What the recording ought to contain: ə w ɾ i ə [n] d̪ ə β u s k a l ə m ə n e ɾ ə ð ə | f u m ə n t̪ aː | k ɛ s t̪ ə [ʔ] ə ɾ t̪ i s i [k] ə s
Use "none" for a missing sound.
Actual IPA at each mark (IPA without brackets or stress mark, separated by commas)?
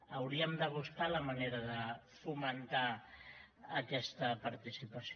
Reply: m, p, p